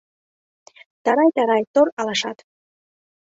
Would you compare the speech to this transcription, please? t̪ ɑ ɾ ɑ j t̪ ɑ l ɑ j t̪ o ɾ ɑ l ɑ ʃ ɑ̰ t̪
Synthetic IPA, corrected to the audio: t̪ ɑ ɾ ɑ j t̪ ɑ ɾ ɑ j t̪ o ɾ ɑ l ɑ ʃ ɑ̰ t̪

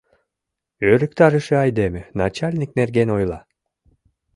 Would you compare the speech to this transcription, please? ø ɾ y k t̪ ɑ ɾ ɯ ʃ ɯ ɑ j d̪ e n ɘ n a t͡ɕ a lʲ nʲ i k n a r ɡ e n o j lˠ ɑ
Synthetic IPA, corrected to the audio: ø ɾ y k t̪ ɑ ɾ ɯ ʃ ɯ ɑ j d̪ e m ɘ n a t͡ɕ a lʲ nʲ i k n e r ɡ e n o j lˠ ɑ

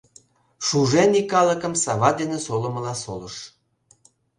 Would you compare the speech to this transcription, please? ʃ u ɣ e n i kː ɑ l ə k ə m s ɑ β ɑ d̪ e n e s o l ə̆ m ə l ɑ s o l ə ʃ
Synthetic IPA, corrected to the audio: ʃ u ʒ e n i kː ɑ l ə k ə m s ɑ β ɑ d̪ e n e s o l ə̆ m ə l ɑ s o l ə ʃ

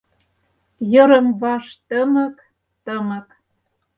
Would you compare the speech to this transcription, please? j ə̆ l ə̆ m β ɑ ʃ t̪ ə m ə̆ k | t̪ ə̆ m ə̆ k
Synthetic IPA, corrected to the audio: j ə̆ ɾ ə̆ m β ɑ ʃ t̪ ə m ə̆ k | t̪ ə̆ m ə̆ k

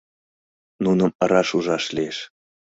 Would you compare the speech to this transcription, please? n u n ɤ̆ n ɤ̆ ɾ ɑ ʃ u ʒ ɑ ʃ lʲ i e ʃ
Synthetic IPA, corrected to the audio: n u n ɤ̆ m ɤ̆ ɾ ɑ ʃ u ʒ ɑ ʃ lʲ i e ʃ

